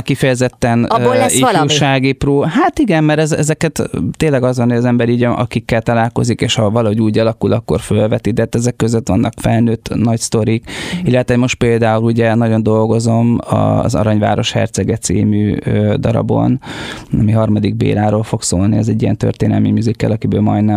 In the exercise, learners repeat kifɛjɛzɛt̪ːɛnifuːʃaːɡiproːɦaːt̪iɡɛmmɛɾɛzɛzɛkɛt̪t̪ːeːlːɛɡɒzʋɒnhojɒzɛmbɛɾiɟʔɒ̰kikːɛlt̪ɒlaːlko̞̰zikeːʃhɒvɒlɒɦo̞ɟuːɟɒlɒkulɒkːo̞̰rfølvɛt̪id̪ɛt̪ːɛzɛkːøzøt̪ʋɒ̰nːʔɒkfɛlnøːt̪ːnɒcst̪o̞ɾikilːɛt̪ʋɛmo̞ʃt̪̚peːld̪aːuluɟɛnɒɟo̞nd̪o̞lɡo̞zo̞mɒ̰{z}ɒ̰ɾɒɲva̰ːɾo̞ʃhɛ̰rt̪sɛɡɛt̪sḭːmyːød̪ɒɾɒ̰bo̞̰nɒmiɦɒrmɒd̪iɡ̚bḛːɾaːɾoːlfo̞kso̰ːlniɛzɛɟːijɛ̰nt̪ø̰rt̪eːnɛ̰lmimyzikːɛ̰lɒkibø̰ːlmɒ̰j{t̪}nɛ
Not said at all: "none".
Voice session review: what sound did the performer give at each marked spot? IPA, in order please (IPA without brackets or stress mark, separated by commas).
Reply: z, d̪